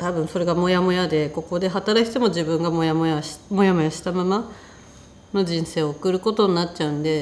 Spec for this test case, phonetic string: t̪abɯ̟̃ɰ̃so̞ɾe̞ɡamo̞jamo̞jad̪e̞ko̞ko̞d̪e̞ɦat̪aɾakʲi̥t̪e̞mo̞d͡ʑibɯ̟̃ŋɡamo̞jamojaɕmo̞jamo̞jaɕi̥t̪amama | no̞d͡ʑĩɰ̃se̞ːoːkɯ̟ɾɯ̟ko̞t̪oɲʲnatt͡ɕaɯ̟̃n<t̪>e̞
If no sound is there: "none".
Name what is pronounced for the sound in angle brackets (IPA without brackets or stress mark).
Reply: d̪